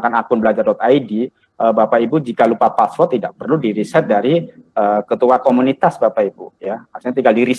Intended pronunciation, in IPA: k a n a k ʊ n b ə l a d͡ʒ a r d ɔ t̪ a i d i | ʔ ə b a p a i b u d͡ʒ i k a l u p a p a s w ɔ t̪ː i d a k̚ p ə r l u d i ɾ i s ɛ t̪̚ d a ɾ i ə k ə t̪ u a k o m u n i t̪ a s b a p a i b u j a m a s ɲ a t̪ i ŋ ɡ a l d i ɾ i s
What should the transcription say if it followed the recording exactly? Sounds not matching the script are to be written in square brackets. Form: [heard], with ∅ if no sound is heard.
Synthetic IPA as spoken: k a n a k ʊ n b ə l a d͡ʒ a r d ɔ t̪ a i d i | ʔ ə b a p a i b u d͡ʒ i k a l u p a p a s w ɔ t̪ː i d a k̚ p ə r l u d i ɾ i s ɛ t̪̚ d a ɾ i ə k ə t̪ u a k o m u n i t̪ a s b a p a i b u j a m a s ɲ a t̪ i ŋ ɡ a l d i ɾ i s